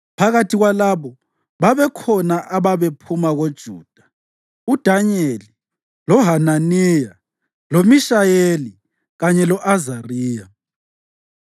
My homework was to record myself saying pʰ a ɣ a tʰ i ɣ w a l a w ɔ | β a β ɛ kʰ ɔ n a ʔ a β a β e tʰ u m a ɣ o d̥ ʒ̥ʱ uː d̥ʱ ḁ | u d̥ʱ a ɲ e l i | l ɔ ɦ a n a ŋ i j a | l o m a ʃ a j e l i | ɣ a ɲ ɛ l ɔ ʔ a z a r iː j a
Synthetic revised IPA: pʰ a ɣ a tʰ i ɣ w a l a β ɔ | β a β ɛ kʰ ɔ n a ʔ a β a β e pʰ u m a ɣ o d̥ ʒ̥ʱ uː d̥ʱ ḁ | u d̥ʱ a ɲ e l i | l ɔ ɦ a n a n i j a | l o m i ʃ a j e l i | ɣ a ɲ ɛ l ɔ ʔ a z a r iː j a

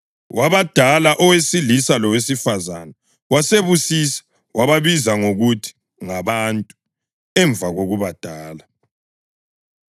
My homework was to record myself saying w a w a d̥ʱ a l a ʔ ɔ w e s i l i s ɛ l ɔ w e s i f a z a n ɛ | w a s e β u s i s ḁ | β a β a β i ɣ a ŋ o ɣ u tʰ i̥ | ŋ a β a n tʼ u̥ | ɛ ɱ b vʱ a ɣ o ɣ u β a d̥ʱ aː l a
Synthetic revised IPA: w a β a d̥ʱ a l a ʔ ɔ w e s i l i s a l ɔ w e s i f a z a n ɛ | w a s e β u s i s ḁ | w a β a β i z a ŋ o ɣ u tʰ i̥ | ŋ a β a n tʼ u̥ | ɛ ɱ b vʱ a ɣ o ɣ u β a d̥ʱ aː l a

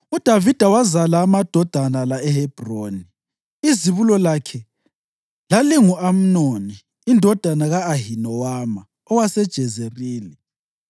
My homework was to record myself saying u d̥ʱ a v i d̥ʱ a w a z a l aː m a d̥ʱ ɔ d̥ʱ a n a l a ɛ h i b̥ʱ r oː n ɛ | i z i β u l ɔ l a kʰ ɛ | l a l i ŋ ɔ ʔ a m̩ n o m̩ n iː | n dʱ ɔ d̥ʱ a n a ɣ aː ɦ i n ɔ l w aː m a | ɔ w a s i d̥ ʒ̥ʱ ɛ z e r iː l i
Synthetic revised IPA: u d̥ʱ a v i d̥ʱ a w a z a l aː m a d̥ʱ ɔ d̥ʱ a n a l a ɛ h ɛ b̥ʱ r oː n i | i z i β u l ɔ l a kʰ ɛ | l a l i ŋ u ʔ a m̩ n o n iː | n dʱ ɔ d̥ʱ a n a ɣ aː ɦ i n ɔ w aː m a | ɔ w a s ɛ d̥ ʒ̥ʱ ɛ z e r iː l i

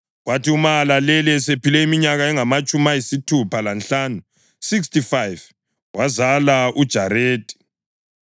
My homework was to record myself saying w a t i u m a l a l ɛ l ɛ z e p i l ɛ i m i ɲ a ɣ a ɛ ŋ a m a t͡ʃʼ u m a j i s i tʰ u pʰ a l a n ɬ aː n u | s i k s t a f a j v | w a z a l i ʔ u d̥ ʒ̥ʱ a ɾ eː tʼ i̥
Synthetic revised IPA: w a t i u m a l a l ɛ l ɛ s e p i l ɛ i m i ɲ a ɣ a ɛ ŋ a m a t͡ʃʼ u m a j i s i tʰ u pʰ a l a n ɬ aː n u | s i k s t i f a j v | w a z a l a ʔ u d̥ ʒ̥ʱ a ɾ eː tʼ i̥

